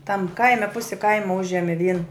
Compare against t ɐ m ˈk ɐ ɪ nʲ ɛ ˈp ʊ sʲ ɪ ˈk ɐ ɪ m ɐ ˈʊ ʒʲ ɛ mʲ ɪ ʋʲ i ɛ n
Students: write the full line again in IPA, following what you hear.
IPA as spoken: t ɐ m ˈk ɐ ɪ mʲ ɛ ˈp ʊ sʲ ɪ ˈk ɐ ɪ m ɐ ˈʊ ʒʲ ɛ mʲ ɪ ʋʲ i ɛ n